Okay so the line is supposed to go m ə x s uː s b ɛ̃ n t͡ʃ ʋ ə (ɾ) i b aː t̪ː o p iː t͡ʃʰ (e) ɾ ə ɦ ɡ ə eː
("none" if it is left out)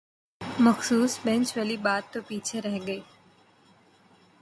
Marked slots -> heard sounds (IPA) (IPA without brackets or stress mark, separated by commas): l, e